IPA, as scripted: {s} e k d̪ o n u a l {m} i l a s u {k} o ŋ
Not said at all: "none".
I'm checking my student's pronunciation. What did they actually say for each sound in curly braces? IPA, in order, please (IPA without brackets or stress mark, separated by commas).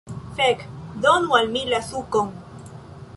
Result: f, m, k